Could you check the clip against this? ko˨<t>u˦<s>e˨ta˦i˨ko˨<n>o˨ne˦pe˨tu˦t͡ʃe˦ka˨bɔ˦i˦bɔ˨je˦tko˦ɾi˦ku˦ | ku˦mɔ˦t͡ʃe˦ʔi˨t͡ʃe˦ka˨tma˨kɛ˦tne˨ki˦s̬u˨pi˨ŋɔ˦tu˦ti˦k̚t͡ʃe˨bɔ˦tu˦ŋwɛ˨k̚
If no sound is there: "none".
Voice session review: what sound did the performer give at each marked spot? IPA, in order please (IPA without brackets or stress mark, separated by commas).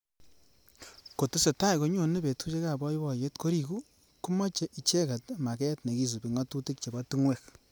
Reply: t, s, ɲ